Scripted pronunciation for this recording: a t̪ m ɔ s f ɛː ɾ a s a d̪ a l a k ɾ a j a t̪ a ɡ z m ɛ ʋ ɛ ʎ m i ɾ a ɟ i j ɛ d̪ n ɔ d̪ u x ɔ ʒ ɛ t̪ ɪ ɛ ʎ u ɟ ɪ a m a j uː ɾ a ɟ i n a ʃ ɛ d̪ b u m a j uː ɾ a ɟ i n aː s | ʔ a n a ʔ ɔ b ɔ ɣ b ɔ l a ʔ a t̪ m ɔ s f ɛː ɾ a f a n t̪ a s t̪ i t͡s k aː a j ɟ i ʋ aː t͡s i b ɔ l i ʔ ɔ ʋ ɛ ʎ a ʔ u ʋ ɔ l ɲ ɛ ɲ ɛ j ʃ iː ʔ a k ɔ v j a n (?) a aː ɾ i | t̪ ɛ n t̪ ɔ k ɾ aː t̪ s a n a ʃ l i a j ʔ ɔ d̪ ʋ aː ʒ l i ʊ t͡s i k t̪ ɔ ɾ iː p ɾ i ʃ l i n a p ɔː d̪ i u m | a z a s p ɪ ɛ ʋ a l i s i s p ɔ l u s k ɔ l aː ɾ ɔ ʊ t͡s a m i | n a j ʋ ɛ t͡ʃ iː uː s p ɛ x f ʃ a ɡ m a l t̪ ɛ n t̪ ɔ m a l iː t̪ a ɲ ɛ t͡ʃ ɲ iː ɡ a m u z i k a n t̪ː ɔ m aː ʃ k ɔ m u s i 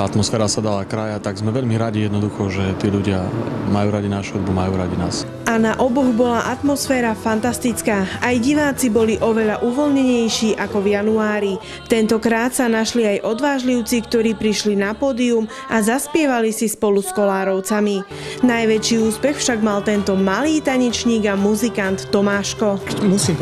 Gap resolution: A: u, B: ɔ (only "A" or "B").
A